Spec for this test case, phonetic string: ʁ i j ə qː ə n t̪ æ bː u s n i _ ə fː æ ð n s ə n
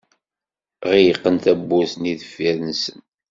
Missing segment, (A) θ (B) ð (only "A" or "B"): B